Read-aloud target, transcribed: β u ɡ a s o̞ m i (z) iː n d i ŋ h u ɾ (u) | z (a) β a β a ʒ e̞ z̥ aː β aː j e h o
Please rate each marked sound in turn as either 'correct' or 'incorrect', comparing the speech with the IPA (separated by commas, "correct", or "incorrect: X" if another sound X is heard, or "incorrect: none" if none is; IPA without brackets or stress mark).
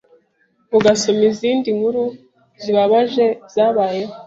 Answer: correct, correct, incorrect: i